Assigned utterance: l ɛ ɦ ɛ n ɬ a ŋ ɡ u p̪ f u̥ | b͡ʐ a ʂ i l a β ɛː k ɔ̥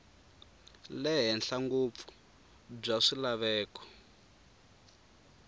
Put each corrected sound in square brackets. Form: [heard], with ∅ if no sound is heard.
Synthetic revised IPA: l ɛ ɦ ɛ n ɬ a ŋ ɡ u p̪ f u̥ | b͡ʐ a ʂ i l a β ɛː k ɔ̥